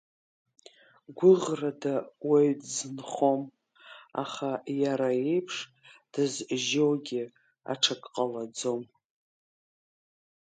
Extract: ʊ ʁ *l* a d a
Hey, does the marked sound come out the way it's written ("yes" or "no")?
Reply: no